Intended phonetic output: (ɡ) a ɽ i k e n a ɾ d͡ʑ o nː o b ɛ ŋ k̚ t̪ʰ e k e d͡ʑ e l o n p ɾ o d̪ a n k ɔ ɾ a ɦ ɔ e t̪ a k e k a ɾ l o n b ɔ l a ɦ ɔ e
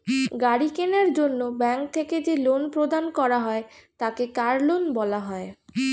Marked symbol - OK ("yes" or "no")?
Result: yes